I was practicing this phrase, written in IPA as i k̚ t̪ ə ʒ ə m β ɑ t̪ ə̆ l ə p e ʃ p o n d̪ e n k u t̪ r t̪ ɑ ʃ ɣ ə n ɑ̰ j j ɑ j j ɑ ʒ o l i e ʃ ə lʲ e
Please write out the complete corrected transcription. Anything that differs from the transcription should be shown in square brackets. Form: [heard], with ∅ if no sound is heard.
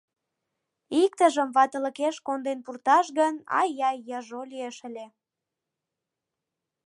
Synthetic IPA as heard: i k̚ t̪ ə ʒ ə m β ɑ t̪ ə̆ l ə [k] e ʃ [k] o n d̪ e n [p] u [∅] r t̪ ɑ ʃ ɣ ə n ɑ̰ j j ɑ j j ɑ ʒ o l i e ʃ ə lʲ e

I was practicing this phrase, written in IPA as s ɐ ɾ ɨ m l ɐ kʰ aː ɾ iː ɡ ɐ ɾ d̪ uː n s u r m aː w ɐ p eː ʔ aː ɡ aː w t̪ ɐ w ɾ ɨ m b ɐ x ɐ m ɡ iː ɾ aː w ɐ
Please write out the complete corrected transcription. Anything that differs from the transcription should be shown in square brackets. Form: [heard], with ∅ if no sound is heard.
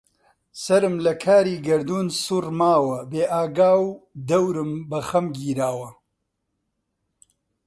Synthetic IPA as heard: s ɐ ɾ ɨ m l ɐ kʰ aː ɾ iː ɡ ɐ ɾ d̪ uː n s u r m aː w ɐ [b] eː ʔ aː ɡ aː w [d̪] ɐ w ɾ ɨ m b ɐ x ɐ m ɡ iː ɾ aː w ɐ

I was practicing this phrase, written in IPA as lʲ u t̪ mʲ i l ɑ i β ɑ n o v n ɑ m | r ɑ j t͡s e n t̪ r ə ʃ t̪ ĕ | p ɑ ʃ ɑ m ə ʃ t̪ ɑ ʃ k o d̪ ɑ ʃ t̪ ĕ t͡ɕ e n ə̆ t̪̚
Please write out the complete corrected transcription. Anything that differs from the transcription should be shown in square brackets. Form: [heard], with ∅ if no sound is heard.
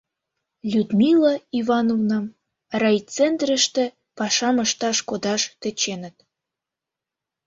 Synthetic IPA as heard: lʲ u [d̪] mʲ i l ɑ i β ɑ n o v n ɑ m | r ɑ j t͡s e n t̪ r ə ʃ t̪ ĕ | p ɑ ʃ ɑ m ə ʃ t̪ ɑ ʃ k o d̪ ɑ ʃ t̪ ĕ t͡ɕ e n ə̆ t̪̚

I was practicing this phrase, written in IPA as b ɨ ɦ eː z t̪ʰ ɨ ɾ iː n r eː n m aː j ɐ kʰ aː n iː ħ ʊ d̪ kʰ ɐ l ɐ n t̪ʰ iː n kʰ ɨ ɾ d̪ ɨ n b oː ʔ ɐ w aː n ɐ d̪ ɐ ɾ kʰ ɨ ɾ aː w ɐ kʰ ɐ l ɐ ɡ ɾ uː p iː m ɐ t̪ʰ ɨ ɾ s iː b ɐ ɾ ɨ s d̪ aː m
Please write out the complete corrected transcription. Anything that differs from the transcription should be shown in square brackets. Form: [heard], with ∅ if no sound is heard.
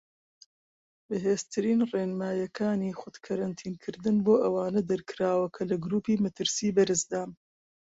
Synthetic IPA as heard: b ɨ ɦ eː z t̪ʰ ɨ ɾ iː n r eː n m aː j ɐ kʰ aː n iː [x] ʊ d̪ kʰ ɐ [ɾ] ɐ n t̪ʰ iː n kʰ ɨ ɾ d̪ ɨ n b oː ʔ ɐ w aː n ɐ d̪ ɐ ɾ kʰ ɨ ɾ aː w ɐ kʰ ɐ l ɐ ɡ ɾ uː p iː m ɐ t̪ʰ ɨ ɾ s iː b ɐ ɾ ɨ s d̪ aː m

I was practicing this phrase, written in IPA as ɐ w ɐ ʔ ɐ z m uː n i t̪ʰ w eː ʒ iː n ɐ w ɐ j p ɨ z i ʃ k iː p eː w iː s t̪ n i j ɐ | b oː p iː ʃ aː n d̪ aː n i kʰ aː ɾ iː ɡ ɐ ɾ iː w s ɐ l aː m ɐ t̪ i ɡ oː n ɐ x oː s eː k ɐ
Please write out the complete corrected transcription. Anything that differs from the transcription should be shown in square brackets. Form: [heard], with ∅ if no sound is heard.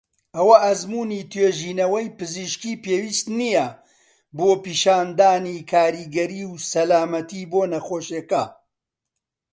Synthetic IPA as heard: ɐ w ɐ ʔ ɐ z m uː n i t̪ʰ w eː ʒ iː n ɐ w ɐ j p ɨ z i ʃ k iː p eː w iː s t̪ n i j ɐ | b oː p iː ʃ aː n d̪ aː n i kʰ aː ɾ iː ɡ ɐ ɾ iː w s ɐ l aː m ɐ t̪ i [b] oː n ɐ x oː [ʃ] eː k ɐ

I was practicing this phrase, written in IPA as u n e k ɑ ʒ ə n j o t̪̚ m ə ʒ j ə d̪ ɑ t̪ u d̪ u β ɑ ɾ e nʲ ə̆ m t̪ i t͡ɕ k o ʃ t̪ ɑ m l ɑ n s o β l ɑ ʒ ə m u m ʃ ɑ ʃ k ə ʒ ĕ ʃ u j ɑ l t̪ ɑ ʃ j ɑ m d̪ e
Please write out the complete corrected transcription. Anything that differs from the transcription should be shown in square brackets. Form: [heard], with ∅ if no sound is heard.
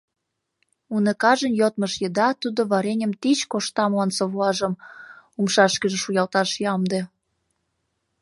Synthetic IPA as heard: u n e k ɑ ʒ ə n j o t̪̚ m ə [ʃ] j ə d̪ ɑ t̪ u d̪ [o] β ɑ ɾ e nʲ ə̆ m t̪ i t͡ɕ k o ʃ t̪ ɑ m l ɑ n s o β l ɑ ʒ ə m u m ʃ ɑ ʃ k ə ʒ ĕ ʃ u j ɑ l t̪ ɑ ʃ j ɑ m d̪ e

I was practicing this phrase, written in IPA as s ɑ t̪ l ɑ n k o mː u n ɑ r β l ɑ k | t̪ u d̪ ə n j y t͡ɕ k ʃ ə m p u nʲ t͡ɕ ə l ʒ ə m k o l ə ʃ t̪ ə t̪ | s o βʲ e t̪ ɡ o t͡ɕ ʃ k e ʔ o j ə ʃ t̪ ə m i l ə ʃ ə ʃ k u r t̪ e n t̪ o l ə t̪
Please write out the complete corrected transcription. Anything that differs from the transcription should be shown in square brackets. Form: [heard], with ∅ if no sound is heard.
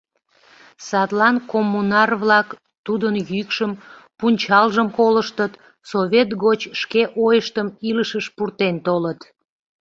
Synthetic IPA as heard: s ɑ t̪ l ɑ n k o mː u n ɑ r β l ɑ k | t̪ u d̪ ə n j y [∅] k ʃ ə m p u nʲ t͡ɕ [ɑ] l ʒ ə m k o l ə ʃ t̪ ə t̪ | s o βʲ e t̪ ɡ o t͡ɕ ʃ k e ʔ o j ə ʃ t̪ ə m i l ə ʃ ə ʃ [p] u r t̪ e n t̪ o l ə t̪

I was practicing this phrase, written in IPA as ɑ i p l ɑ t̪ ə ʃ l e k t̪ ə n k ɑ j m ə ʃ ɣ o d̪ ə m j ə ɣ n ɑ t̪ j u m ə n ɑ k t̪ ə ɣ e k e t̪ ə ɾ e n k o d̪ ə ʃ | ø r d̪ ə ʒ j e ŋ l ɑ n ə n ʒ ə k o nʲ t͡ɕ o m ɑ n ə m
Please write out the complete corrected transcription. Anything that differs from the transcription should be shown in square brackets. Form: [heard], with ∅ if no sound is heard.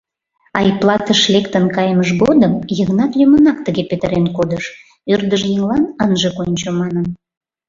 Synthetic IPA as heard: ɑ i p l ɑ t̪ ə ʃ l e k t̪ ə n k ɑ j m ə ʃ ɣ o d̪ ə m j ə ɣ n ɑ t̪ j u m ə n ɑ k t̪ ə ɣ e [p] e t̪ ə ɾ e n k o d̪ ə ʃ | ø r d̪ ə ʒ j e ŋ l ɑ n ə n ʒ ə k o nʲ t͡ɕ o m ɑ n ə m

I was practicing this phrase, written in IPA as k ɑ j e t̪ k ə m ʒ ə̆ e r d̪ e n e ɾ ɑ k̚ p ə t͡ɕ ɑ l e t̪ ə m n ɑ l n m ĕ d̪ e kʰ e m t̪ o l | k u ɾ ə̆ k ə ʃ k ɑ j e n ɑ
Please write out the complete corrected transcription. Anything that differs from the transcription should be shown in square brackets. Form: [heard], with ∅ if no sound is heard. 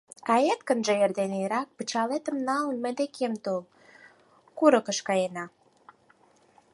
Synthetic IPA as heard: k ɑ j e t̪ k ə [n] ʒ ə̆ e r d̪ e n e ɾ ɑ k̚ p ə t͡ɕ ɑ l e t̪ ə m n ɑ l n m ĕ d̪ e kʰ e m t̪ o l | k u ɾ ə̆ k ə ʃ k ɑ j e n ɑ

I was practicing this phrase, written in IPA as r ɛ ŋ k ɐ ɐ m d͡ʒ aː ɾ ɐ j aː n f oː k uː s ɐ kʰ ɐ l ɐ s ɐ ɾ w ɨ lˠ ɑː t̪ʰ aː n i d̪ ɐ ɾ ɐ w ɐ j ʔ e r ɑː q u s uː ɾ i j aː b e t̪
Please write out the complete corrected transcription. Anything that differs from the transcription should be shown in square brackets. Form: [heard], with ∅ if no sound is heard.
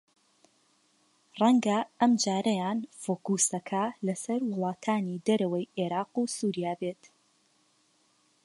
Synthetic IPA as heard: r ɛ ŋ [ɡ] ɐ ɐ m d͡ʒ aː ɾ ɐ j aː n f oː k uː s ɐ kʰ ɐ l ɐ s ɐ ɾ w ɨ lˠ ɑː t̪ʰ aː n i d̪ ɐ ɾ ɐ w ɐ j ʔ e [ɾ] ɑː q u s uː ɾ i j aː b e t̪

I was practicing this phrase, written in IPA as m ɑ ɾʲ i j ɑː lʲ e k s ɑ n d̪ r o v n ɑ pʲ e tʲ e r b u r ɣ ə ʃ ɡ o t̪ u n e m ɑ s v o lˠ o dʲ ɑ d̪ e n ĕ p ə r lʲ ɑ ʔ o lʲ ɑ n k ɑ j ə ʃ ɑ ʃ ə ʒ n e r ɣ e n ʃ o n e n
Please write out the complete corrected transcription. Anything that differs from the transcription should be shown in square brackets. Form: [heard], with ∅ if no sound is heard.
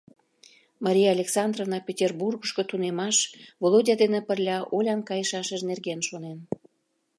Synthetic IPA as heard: m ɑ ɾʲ i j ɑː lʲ e k s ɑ n d̪ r o v n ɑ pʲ e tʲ e r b u r ɣ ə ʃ [k] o t̪ u n e m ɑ [ʃ] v o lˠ o dʲ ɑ d̪ e n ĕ p ə r lʲ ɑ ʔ o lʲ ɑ n k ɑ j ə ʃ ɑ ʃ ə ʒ n e r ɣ e n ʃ o n e n

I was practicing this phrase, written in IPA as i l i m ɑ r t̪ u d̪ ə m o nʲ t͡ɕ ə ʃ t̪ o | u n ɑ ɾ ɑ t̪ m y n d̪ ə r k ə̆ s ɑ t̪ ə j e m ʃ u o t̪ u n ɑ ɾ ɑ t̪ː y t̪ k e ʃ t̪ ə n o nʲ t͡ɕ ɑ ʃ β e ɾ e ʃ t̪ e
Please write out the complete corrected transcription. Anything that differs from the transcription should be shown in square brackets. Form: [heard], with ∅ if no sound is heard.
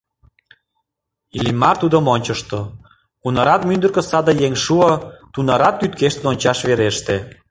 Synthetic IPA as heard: i l i m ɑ r t̪ u d̪ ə m o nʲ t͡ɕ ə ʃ t̪ o | u n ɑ ɾ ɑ t̪ m y n d̪ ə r k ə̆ s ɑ [d̪] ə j e [ŋ] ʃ u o t̪ u n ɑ ɾ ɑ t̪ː y t̪ k e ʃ t̪ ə n o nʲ t͡ɕ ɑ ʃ β e ɾ e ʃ t̪ e

